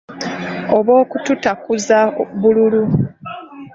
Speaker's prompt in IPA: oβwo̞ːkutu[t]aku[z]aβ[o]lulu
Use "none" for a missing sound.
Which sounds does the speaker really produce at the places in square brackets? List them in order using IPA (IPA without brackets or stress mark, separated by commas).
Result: t, z, u